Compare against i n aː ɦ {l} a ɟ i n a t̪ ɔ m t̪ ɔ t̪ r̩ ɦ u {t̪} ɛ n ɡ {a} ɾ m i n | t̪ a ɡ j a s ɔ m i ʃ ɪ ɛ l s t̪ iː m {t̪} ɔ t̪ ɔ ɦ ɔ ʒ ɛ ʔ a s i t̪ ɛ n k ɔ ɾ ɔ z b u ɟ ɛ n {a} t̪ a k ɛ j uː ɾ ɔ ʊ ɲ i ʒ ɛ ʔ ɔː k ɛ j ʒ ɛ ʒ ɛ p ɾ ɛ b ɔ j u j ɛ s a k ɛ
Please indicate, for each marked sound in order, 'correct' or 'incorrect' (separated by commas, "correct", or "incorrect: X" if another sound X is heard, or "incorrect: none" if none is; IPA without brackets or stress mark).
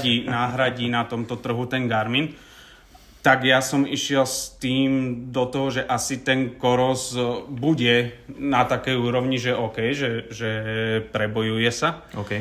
incorrect: ɾ, correct, correct, incorrect: d̪, correct